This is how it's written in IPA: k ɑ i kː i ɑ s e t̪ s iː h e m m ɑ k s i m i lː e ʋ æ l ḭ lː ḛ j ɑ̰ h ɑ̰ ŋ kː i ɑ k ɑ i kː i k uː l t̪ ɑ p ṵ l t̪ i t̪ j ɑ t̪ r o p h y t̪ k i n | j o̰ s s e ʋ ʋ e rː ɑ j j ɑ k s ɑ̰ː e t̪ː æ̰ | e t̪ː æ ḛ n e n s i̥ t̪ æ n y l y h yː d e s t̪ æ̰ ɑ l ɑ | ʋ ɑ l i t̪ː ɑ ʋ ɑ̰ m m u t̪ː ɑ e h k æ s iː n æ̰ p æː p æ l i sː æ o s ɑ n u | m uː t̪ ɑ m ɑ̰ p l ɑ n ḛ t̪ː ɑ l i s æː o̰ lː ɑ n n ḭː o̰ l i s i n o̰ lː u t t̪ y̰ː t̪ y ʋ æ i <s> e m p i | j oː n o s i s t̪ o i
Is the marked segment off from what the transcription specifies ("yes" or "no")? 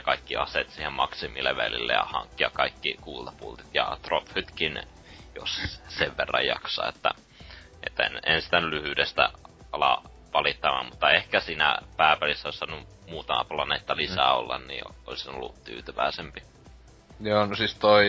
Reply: no